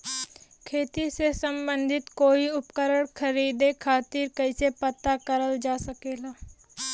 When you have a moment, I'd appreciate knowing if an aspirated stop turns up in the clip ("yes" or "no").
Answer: yes